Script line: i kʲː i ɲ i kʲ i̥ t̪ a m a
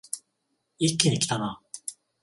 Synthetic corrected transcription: i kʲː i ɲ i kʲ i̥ t̪ a n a